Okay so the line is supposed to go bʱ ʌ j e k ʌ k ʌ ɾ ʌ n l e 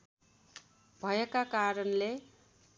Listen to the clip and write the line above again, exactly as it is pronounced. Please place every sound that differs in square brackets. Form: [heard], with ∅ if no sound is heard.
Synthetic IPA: bʱ ʌ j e k [a] k [a] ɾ ʌ n l e

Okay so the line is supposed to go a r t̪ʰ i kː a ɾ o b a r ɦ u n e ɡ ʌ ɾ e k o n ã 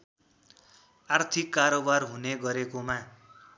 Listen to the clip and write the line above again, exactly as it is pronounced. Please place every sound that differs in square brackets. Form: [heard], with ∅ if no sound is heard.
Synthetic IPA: a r t̪ʰ i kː a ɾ o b a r ɦ u n e ɡ ʌ ɾ e k o [m] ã

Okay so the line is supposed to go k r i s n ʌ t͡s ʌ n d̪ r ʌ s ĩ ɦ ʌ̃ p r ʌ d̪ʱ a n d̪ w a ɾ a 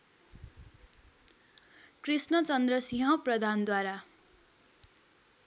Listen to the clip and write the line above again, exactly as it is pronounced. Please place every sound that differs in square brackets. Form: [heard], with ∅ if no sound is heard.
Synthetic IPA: k r i s n ʌ t͡s ʌ n d̪ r ʌ s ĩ ɦ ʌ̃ p r ʌ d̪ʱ a n d̪ w a ɾ a

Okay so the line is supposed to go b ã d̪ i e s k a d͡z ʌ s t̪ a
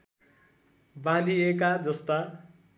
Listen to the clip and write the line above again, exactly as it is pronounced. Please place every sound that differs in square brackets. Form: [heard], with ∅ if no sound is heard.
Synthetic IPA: b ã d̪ i e [∅] k a d͡z ʌ s t̪ a

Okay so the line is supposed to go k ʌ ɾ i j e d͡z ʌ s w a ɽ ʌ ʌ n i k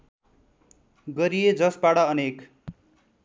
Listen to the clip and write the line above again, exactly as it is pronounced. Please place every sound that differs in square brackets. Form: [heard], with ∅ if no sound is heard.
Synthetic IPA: [ɡ] ʌ ɾ i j e d͡z ʌ s [b] a ɽ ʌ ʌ n [e] k

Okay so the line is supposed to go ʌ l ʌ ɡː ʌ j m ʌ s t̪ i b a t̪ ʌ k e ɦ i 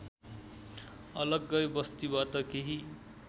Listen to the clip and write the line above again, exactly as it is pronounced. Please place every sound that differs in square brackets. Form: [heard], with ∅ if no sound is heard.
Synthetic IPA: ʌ l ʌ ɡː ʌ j [b] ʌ s t̪ i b a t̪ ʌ k e ɦ i

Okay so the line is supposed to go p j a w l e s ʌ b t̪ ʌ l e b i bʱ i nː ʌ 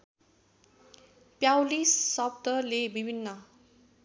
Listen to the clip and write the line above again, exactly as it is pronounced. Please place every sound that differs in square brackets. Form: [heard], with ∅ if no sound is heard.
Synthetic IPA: p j a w l [i] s ʌ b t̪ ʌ l e b i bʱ i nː ʌ

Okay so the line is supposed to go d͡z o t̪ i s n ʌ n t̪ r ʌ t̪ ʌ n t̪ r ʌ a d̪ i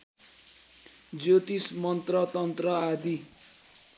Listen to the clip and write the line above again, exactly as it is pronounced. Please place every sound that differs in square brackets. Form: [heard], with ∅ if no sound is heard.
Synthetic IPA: d͡z o t̪ i s [m] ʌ n t̪ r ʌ t̪ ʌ n t̪ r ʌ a d̪ i

